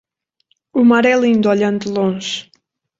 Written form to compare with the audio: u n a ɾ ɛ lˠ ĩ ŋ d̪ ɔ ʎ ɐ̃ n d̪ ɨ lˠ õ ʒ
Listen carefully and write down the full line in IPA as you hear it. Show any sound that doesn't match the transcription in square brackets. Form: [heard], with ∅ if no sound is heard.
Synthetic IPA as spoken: u [m] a ɾ ɛ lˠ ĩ [n] d̪ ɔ ʎ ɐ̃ n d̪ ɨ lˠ õ ʒ